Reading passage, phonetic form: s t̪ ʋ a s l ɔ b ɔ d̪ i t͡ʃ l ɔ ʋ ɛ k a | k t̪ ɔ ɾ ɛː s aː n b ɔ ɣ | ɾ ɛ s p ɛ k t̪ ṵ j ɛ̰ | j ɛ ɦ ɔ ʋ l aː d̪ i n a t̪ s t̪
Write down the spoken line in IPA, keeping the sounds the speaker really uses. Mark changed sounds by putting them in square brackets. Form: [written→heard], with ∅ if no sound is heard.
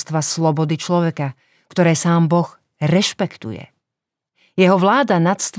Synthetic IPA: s t̪ ʋ a s l ɔ b ɔ d̪ i t͡ʃ l ɔ ʋ ɛ k a | k t̪ ɔ ɾ ɛː s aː [n→m] b ɔ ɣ | ɾ ɛ [s→ʃ] p ɛ k t̪ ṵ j ɛ̰ | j ɛ ɦ ɔ ʋ l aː d̪ [i→a] n a t̪ s t̪